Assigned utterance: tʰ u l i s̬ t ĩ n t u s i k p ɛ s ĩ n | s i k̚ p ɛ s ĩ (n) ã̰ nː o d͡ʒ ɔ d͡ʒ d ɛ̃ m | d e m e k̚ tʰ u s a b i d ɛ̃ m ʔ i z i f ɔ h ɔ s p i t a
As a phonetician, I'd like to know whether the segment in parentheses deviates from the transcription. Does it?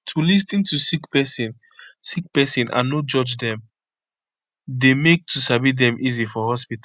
no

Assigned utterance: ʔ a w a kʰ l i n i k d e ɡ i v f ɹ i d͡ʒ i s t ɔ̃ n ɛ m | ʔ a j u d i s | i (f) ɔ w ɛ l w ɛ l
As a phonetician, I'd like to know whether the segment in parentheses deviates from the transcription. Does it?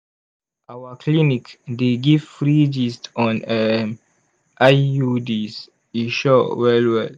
yes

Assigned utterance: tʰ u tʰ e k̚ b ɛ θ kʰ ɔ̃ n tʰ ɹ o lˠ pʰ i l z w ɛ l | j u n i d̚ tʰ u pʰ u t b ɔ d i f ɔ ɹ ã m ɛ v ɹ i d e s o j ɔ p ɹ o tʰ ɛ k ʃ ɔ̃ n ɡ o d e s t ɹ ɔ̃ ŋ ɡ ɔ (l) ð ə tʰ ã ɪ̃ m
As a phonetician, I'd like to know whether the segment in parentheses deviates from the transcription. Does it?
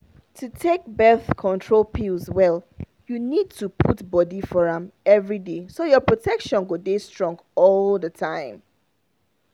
no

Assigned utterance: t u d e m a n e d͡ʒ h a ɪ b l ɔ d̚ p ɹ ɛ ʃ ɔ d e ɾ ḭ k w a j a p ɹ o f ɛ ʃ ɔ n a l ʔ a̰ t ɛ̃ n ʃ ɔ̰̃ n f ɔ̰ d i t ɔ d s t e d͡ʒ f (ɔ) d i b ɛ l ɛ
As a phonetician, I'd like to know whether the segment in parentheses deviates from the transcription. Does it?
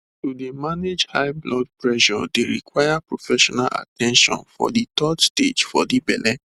no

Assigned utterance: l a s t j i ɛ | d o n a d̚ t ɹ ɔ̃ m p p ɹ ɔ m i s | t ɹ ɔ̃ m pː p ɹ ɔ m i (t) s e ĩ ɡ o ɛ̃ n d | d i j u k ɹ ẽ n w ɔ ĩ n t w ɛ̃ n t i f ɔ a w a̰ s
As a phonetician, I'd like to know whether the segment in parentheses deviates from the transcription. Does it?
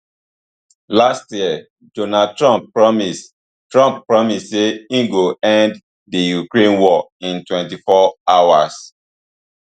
yes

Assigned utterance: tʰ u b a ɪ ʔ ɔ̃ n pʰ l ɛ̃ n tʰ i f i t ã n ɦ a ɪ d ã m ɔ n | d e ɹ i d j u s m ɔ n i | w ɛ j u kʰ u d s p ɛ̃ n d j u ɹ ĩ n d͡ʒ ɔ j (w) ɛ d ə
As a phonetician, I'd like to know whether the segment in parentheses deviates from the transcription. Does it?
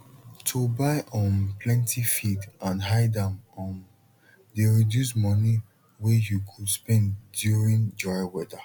no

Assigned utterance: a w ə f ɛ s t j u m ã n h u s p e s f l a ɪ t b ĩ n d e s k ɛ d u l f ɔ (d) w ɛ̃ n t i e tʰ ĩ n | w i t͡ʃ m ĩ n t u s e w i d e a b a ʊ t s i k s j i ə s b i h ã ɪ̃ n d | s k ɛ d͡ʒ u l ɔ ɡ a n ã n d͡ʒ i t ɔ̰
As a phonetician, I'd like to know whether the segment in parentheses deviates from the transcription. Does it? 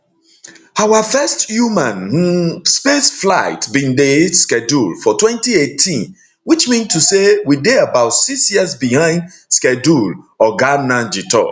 yes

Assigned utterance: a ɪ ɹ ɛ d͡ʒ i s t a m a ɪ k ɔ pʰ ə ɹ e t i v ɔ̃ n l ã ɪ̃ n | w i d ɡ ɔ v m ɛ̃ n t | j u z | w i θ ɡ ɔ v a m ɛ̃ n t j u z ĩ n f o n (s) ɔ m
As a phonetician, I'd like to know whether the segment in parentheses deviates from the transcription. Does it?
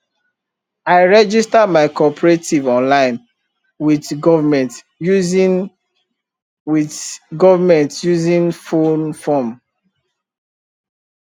yes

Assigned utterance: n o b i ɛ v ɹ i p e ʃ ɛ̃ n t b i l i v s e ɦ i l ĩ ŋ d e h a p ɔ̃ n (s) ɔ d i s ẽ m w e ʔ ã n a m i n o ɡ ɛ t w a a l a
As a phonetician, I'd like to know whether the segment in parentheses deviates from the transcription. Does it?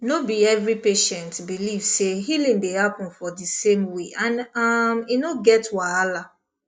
yes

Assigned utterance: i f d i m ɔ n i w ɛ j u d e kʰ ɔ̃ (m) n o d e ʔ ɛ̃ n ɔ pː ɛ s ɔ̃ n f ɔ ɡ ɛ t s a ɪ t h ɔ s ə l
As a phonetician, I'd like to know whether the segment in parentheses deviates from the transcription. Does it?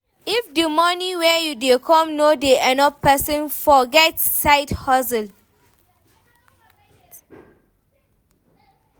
no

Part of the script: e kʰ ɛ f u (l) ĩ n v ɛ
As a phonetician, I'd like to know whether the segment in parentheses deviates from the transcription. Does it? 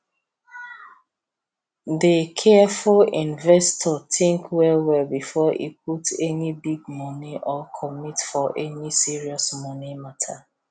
no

